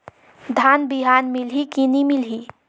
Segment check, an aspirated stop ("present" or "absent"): absent